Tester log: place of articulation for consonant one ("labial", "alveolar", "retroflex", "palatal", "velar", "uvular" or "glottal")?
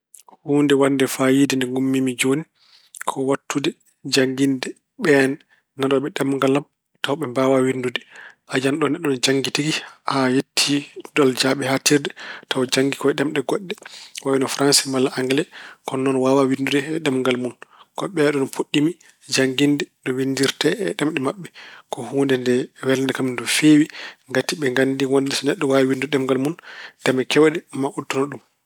glottal